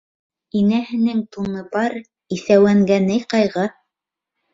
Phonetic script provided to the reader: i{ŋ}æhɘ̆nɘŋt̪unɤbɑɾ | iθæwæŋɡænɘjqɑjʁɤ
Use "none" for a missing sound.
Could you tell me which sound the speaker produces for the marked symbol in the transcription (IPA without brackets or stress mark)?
n